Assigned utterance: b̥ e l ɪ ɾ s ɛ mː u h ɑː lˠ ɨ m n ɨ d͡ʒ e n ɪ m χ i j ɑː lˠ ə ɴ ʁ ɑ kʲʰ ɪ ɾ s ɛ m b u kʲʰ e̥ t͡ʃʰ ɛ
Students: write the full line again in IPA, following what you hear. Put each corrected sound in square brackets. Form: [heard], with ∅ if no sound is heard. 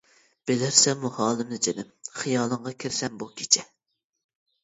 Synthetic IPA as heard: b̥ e l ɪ ɾ s ɛ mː u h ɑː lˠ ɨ m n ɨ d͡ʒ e n ɪ m χ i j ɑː lˠ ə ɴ ʁ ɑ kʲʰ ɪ ɾ s ɛ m b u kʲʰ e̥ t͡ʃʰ ɛ